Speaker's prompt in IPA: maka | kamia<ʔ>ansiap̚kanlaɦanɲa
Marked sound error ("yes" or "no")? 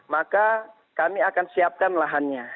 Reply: yes